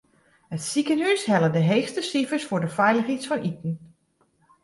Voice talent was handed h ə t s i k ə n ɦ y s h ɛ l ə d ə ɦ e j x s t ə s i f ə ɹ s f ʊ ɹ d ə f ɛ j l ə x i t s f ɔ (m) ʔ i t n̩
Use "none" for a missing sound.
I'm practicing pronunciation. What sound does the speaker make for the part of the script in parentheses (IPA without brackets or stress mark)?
n